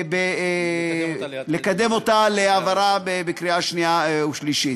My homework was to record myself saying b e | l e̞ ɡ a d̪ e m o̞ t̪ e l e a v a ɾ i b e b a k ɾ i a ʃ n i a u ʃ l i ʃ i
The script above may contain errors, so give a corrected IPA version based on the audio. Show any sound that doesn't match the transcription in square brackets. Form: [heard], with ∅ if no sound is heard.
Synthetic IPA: b e | l e̞ [k] a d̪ e m o̞ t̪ [a] l e a v a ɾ [a] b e b [e] k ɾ i a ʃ n i a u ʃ l i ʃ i